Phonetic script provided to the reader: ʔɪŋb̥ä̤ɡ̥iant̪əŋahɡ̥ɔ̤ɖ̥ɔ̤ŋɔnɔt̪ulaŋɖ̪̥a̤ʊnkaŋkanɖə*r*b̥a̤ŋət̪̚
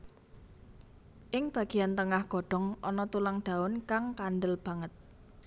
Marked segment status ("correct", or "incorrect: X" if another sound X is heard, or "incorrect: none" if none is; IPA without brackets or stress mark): incorrect: l